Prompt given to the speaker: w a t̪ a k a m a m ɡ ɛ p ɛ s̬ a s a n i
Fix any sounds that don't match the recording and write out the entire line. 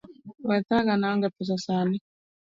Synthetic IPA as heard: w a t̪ a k a n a ŋ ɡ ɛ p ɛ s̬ a s a n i